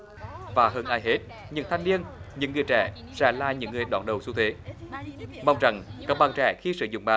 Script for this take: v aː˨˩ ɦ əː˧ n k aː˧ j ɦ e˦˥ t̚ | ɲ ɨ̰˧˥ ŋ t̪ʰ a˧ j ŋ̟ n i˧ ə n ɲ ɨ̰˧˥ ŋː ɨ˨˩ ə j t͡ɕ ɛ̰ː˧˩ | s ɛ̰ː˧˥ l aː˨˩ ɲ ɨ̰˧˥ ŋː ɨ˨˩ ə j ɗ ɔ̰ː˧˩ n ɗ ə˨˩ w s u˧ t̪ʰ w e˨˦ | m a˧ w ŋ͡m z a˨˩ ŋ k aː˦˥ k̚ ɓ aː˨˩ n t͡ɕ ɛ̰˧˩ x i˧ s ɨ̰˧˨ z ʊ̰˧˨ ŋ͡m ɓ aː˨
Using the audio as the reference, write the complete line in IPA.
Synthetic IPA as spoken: v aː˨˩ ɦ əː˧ n ʔ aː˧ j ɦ e˦˥ t̚ | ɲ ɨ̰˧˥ ŋ t̪ʰ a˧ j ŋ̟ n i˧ ə n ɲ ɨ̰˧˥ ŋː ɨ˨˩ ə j t͡ɕ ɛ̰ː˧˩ | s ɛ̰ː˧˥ l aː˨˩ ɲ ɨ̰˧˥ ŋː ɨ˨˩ ə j ɗ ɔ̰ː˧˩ n ɗ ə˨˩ w s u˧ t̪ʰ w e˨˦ | m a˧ w ŋ͡m z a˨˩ ŋ k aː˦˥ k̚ ɓ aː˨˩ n t͡ɕ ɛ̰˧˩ x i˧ s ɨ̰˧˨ z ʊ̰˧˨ ŋ͡m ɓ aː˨

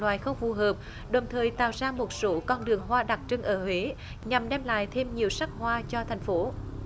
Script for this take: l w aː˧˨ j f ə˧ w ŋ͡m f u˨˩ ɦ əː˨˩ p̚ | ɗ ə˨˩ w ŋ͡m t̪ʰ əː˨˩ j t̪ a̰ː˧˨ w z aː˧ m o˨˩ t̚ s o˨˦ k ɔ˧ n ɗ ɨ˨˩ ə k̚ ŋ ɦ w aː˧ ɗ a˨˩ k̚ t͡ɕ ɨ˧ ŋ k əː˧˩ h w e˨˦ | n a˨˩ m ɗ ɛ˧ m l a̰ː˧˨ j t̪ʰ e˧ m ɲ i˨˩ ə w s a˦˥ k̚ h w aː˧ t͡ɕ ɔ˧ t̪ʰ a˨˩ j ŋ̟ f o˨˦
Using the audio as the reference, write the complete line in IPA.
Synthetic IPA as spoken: l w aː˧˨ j x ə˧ w ŋ͡m f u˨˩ ɦ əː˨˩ p̚ | ɗ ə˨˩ w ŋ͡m t̪ʰ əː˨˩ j t̪ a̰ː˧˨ w z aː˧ m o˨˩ t̚ s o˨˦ k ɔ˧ n ɗ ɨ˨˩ ə ŋ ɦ w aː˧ ɗ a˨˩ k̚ t͡ɕ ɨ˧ ŋ ʔ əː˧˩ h w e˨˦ | ɲ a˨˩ m ɗ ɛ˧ m l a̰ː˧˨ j t̪ʰ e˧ m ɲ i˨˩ ə w s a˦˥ k̚ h w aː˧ t͡ɕ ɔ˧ t̪ʰ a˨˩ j ŋ̟ f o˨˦

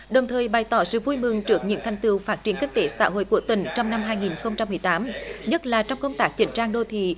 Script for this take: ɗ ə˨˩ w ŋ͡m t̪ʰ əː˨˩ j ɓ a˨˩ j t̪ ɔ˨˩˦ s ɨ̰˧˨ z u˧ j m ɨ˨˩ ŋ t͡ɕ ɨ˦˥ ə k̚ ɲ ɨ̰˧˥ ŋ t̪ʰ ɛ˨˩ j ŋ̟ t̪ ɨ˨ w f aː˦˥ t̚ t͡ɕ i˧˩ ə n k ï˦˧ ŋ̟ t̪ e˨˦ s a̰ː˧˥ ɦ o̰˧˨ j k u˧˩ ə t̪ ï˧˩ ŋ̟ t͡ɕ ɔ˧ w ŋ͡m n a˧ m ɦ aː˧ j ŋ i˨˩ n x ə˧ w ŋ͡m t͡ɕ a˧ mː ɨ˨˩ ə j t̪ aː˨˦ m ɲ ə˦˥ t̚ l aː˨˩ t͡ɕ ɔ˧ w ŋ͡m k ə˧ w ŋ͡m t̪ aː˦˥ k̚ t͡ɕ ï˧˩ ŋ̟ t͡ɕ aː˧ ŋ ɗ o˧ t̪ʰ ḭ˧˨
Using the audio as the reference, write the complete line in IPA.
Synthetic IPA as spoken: ɗ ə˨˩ w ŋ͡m t̪ʰ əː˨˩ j ɓ a˨˩ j t̪ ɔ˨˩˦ s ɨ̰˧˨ v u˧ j m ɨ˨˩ ŋ t͡ɕ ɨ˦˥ ə k̚ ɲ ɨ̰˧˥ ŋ t̪ʰ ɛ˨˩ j ŋ̟ t̪ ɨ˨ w f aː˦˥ t̚ t͡ɕ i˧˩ ə n k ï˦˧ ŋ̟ t̪ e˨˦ s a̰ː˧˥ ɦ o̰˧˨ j k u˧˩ ə t̪ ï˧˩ ŋ̟ t͡ɕ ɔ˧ w ŋ͡m n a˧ m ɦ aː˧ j ŋ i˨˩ n x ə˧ w ŋ͡m t͡ɕ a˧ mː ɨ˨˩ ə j t̪ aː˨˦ m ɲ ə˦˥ t̚ l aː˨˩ t͡ɕ ɔ˧ w ŋ͡m k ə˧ w ŋ͡m t̪ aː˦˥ k̚ t͡ɕ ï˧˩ ŋ̟ t͡ɕ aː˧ ŋ ɗ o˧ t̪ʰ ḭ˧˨

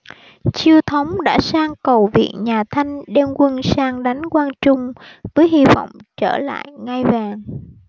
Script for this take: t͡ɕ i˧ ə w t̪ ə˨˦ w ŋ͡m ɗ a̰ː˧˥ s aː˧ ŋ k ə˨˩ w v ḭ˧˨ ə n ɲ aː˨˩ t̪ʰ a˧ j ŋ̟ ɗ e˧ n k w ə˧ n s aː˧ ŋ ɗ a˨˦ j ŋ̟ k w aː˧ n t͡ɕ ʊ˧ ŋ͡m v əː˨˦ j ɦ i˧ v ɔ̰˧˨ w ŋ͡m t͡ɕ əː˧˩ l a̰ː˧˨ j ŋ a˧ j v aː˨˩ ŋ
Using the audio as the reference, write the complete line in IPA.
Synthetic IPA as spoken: t͡ɕ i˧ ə w t̪ʰ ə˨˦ w ŋ͡m ɗ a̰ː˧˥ s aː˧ ŋ k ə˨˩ w v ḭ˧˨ ə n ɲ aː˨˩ t̪ʰ a˧ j ŋ̟ ɗ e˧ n k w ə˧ n s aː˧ ŋ ɗ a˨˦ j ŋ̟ k w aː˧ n t͡ɕ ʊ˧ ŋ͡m v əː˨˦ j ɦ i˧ v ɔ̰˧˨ w ŋ͡m t͡ɕ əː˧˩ l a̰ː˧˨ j ŋ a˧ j v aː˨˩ ŋ

